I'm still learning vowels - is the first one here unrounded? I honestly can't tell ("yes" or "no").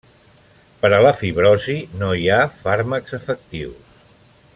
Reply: yes